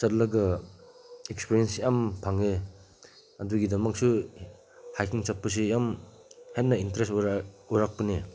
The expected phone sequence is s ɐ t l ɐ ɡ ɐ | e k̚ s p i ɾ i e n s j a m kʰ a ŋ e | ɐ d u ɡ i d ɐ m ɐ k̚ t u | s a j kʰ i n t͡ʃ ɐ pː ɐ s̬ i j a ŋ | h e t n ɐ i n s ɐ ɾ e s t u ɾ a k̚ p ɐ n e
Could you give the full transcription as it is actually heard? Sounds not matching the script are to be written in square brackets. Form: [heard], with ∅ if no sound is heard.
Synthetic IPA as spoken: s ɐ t l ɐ ɡ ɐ | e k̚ s p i ɾ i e n s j a m [pʰ] a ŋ e | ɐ d u ɡ i d ɐ m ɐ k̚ [s] u | [h] a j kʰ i [ŋ] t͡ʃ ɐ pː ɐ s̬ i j a [m] | h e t n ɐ i n [t] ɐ ɾ e s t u ɾ a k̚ p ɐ n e